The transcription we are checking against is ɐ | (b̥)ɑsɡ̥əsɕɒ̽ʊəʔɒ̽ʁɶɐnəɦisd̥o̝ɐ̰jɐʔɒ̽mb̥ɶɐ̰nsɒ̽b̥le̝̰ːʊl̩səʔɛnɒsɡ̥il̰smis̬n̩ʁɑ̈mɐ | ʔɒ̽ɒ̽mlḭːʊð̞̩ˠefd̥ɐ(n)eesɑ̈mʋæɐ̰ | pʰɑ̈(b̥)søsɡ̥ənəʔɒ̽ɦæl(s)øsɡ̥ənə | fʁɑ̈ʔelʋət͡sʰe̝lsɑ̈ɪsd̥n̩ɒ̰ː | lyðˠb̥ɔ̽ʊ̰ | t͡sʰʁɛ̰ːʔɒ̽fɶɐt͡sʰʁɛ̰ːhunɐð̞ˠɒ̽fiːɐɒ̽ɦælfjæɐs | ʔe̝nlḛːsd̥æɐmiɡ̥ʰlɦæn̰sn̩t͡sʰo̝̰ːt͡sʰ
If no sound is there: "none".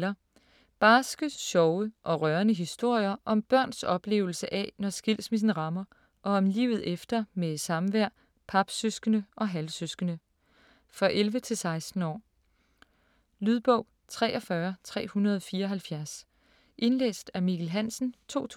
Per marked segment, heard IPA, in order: b̥, m, b̥, s

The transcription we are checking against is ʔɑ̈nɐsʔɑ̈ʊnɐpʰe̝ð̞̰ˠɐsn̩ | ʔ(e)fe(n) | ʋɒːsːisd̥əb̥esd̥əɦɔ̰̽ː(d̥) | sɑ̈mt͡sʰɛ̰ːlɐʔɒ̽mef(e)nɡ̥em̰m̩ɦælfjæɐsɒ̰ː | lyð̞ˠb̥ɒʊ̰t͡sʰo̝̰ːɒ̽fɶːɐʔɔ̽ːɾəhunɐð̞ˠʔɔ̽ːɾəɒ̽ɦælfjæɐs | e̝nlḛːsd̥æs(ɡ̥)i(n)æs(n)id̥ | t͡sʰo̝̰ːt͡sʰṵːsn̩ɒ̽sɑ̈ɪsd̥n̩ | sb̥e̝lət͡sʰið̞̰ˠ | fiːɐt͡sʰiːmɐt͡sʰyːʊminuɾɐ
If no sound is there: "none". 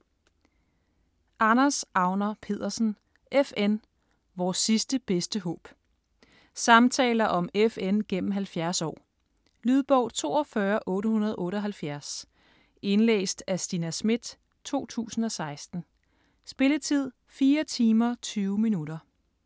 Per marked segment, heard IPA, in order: e, n, b̥, e, d̥, n, m

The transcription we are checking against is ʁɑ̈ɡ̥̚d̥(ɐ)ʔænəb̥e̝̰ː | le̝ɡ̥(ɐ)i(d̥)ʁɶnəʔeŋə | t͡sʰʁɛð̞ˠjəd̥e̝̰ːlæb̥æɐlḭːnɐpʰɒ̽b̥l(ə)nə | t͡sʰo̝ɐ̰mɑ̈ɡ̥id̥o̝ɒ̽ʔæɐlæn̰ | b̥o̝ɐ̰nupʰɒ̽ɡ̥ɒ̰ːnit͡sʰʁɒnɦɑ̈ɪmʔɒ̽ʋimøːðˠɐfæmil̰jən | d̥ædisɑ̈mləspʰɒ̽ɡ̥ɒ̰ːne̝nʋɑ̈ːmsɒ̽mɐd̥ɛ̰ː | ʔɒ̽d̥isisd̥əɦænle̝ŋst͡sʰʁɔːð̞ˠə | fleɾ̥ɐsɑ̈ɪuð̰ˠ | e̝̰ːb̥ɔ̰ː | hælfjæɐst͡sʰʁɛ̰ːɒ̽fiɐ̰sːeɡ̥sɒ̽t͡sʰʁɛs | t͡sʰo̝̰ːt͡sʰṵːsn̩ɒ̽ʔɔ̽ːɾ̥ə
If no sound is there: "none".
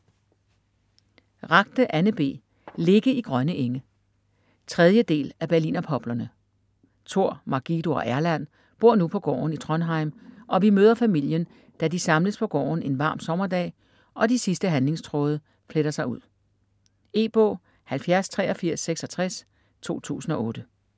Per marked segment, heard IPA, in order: ə, ə, ɡ̥, ɐ

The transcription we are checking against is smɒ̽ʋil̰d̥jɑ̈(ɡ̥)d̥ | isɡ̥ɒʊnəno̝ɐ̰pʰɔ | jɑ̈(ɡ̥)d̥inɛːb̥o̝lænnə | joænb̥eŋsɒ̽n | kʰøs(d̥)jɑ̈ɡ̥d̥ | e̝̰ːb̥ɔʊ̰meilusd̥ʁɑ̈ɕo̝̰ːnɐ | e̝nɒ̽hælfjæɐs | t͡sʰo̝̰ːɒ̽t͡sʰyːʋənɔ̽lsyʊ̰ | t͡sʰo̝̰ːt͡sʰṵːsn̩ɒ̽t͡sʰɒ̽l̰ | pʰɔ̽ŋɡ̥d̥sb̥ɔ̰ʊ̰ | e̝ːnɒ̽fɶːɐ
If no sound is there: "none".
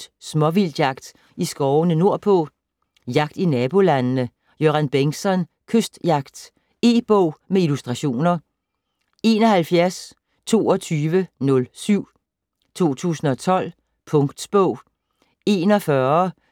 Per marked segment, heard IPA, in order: ɡ̥, ɡ̥, d̥

